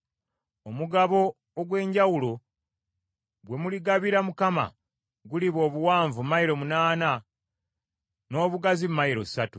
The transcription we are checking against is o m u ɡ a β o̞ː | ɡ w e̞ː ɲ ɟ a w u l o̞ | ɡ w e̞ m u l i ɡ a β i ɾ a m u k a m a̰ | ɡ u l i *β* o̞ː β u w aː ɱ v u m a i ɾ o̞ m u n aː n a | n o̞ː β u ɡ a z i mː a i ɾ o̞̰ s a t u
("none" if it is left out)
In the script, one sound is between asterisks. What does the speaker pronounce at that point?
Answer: β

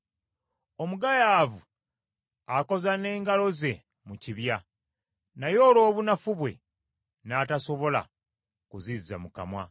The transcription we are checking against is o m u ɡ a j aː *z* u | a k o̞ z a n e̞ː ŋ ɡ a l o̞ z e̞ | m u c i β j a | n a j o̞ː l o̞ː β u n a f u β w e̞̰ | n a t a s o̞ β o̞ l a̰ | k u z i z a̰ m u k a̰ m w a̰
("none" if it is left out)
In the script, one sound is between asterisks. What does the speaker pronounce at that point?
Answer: v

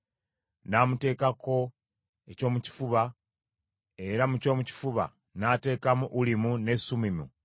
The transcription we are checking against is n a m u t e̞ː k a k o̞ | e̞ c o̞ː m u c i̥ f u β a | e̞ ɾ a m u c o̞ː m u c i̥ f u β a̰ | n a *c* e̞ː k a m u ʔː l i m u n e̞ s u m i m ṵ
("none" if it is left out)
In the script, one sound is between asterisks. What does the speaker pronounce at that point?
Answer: t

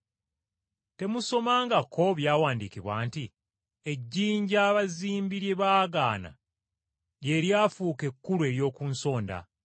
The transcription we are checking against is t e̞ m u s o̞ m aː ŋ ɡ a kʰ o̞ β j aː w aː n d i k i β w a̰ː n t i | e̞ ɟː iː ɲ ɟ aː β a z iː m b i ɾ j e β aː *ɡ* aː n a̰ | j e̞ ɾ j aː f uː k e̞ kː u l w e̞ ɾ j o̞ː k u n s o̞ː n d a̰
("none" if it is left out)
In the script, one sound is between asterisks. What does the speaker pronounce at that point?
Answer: ɡ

